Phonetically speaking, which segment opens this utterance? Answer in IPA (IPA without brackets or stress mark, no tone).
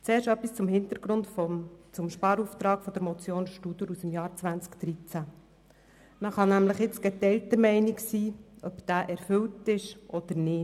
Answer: t͡s